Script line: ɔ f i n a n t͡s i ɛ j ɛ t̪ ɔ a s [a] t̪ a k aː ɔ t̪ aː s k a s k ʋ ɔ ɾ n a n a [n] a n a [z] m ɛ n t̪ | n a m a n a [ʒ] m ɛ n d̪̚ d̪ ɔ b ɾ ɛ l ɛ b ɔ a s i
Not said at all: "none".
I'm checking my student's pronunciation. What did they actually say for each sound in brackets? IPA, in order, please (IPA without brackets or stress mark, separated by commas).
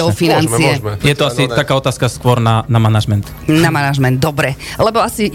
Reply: i, m, ʒ, ʒ